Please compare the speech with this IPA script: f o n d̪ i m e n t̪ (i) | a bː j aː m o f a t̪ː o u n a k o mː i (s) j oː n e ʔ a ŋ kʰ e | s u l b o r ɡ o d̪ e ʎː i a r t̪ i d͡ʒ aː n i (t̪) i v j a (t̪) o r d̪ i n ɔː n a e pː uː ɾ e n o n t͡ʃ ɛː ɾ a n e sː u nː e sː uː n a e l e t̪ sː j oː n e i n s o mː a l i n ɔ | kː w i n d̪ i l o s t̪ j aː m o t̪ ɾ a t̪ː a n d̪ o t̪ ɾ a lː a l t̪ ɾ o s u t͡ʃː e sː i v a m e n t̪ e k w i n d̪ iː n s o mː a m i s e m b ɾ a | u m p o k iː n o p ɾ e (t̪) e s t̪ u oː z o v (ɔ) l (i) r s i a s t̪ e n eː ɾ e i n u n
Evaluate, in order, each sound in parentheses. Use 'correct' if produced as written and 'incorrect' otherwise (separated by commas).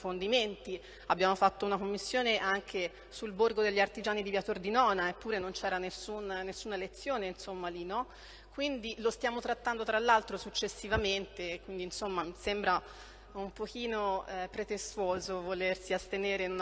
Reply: correct, incorrect, incorrect, correct, correct, incorrect, incorrect